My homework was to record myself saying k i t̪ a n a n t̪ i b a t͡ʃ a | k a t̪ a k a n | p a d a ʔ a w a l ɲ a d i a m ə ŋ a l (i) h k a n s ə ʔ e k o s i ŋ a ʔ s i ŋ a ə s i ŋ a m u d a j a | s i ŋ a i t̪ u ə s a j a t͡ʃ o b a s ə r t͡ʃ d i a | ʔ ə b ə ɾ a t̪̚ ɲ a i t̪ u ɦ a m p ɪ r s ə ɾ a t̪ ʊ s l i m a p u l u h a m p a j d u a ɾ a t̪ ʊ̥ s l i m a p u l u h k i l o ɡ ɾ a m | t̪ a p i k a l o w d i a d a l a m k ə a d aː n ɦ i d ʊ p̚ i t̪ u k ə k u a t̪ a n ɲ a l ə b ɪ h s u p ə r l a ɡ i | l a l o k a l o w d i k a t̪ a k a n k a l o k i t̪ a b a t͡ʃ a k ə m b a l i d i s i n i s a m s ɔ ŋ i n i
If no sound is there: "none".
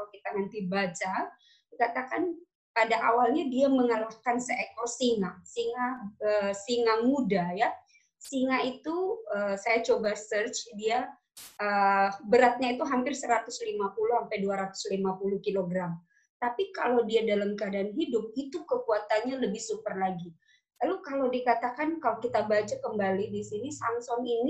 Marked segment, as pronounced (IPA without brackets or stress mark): a